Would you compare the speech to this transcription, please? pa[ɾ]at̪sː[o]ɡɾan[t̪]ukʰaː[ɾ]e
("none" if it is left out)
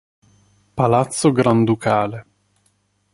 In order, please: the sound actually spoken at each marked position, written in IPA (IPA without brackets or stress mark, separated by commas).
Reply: l, o, d̪, l